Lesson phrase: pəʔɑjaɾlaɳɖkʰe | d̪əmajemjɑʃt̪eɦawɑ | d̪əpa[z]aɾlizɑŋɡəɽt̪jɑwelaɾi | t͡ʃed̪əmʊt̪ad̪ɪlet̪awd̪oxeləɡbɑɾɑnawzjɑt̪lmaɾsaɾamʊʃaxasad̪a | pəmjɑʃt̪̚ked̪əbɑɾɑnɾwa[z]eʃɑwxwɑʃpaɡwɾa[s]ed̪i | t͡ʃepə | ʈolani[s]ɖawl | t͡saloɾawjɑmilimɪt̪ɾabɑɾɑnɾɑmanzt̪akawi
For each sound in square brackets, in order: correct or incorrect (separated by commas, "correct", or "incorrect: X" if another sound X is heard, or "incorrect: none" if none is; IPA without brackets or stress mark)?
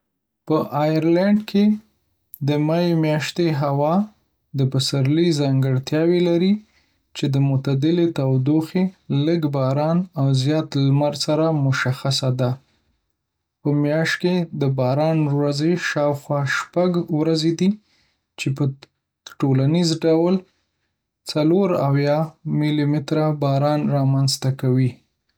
incorrect: s, correct, incorrect: z, incorrect: z